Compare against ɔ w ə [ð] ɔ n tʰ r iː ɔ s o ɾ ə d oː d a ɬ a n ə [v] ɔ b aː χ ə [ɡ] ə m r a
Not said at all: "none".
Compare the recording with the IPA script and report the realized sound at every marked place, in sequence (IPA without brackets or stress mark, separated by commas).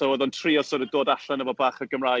ð, v, ɡ